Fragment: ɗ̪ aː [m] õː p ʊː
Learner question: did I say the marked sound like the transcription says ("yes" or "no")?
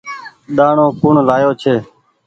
no